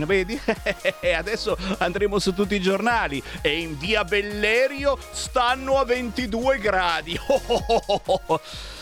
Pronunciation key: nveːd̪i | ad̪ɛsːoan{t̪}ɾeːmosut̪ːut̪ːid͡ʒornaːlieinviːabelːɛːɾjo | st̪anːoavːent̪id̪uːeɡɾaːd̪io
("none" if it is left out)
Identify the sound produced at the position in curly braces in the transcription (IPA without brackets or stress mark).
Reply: d̪